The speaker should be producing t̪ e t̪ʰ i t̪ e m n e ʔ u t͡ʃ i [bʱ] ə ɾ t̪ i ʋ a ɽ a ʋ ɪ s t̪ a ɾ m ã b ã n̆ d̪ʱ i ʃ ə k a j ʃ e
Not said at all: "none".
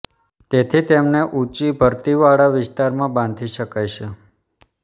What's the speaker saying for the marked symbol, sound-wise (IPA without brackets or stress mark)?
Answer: bʱ